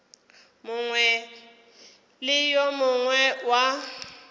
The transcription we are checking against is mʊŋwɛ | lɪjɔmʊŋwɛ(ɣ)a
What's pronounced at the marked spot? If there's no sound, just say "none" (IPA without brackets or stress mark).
w